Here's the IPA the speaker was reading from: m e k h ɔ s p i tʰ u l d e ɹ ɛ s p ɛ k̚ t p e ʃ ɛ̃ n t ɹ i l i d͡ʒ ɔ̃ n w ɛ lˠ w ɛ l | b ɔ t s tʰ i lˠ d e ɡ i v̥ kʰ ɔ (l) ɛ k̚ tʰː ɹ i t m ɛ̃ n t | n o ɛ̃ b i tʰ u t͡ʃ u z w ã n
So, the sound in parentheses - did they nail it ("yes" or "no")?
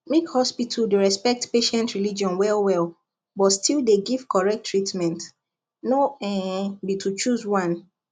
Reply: no